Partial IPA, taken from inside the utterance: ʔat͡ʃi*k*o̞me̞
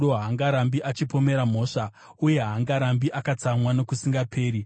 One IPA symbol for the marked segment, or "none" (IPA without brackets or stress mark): p